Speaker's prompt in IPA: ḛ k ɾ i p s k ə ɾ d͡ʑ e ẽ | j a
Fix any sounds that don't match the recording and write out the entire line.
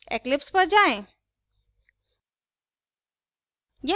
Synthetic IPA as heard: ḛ k l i p s p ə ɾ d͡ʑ a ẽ | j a